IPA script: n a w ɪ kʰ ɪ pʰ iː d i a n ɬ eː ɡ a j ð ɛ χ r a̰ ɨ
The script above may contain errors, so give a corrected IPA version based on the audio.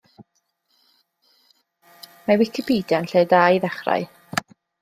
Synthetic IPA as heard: m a w ɪ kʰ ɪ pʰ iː d j a n ɬ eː d a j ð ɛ χ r a̰ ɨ